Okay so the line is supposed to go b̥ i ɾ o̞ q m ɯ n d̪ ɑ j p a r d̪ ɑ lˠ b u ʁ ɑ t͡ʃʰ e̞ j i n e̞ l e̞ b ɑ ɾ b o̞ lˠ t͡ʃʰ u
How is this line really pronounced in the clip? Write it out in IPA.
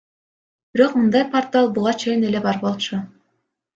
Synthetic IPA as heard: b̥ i ɾ o̞ q m ɯ n d̪ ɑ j p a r t̪ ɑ lˠ b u ʁ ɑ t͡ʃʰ e̞ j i n e̞ l e̞ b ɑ ɾ b o̞ lˠ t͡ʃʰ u